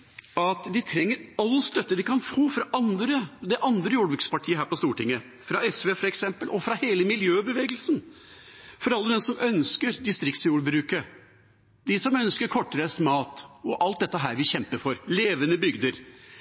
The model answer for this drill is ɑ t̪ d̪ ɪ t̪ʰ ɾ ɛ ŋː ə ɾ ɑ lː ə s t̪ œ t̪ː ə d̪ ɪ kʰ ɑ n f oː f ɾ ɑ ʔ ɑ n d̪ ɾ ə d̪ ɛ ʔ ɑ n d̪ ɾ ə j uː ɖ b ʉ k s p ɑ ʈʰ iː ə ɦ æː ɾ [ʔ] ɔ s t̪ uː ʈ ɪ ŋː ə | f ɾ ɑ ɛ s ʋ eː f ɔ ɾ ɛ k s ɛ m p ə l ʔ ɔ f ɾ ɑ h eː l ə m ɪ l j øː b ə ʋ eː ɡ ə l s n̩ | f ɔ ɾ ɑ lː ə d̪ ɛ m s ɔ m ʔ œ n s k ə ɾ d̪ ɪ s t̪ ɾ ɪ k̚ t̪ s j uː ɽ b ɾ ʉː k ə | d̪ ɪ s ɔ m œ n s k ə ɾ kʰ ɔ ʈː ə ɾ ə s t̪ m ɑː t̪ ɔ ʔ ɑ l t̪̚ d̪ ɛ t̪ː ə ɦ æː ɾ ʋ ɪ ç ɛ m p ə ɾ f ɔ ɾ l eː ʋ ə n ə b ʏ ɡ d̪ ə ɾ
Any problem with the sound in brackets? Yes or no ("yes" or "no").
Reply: yes